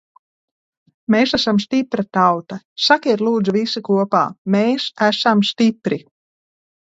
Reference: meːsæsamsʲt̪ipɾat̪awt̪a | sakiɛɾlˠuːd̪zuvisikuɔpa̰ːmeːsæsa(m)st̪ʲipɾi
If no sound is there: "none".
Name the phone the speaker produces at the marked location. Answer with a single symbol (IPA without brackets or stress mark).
m